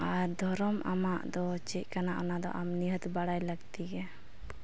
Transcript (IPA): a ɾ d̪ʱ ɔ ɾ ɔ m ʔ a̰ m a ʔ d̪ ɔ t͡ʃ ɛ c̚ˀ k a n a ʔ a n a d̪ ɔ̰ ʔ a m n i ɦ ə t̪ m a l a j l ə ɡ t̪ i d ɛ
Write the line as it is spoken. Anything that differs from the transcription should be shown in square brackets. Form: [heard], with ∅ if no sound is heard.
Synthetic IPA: a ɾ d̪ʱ ɔ ɾ ɔ m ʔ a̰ m a ʔ d̪ ɔ t͡ʃ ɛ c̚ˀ k a n a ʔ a n a d̪ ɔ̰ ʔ a m n i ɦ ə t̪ [b] a [ɽ] a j l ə ɡ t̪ i [ɡ] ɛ